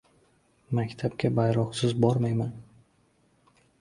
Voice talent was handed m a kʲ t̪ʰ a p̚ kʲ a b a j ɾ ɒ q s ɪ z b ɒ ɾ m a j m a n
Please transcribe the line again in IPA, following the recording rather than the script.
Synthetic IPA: m a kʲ t̪ʰ a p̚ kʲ a b a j ɾ ɒ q s ɪ z b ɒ ɾ m a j m a n